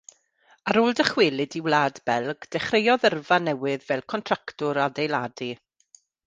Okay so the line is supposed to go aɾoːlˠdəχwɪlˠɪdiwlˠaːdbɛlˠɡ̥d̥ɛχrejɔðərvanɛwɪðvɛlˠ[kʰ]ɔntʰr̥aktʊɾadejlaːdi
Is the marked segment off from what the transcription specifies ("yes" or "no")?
no